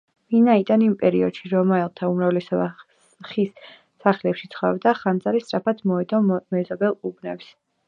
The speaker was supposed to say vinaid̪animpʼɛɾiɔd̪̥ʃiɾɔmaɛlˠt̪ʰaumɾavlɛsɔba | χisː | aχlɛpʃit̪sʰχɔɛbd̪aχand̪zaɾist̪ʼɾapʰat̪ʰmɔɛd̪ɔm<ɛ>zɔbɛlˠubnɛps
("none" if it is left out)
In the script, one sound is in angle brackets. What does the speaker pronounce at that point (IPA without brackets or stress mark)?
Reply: ɛ